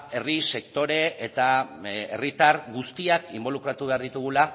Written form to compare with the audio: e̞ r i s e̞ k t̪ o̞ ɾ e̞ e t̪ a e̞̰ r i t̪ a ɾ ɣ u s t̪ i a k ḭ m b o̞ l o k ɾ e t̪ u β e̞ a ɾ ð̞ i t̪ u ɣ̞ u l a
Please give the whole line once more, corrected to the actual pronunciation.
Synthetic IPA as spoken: e̞ r i s e̞ k t̪ o̞ ɾ e̞ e t̪ a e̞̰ r i t̪ a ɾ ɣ u s t̪ i a k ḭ m b o̞ l u k ɾ a t̪ u β e̞ a ɾ ð̞ i t̪ u ɣ̞ u l a